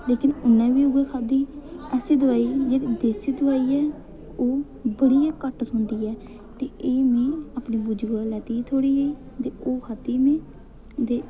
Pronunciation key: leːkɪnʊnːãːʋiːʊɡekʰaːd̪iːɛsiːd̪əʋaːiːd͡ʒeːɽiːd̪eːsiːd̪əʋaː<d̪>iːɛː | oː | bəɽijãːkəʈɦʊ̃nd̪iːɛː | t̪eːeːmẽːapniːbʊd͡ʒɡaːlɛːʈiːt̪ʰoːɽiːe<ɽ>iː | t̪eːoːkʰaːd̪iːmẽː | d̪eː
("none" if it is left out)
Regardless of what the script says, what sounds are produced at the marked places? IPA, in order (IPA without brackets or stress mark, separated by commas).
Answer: none, none